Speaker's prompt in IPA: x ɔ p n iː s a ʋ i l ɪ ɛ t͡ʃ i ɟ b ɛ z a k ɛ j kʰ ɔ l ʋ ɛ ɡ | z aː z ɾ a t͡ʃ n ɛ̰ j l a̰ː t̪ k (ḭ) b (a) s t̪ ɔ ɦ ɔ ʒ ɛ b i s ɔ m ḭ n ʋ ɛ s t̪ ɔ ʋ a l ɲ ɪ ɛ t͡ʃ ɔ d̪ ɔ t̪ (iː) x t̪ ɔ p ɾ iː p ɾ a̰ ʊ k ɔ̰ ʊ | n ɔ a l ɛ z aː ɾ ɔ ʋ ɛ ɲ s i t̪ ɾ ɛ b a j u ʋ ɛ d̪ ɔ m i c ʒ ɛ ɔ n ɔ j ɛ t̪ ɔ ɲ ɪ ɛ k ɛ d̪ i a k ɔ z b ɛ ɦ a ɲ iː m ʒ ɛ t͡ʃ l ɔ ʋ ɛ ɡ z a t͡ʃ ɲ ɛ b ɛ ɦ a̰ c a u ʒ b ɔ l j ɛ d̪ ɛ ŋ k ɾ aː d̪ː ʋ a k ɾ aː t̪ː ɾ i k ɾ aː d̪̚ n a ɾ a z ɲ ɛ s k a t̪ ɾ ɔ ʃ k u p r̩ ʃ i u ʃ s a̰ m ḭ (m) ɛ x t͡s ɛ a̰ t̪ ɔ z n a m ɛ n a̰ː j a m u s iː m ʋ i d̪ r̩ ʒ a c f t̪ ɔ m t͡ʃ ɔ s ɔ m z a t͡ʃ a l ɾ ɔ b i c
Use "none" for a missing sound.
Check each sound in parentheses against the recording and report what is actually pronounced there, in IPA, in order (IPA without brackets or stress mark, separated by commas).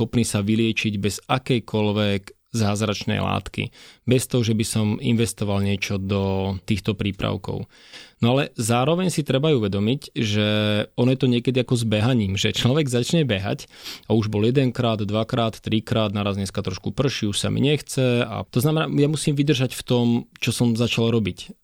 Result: ḭ, ɛ, iː, ɲ